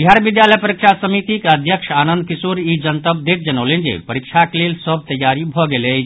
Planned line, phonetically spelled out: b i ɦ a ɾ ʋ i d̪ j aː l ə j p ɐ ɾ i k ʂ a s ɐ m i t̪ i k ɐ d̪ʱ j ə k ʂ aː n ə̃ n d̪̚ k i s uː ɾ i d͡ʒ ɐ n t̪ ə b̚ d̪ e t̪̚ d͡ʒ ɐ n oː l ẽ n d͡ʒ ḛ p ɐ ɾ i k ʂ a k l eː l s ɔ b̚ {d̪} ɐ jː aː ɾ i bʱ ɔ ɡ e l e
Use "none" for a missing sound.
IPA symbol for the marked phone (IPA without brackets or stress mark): t̪